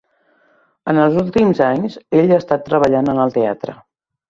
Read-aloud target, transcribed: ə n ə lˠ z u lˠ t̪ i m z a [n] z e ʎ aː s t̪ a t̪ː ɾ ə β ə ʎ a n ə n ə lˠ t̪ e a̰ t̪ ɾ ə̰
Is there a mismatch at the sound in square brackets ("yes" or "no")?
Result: yes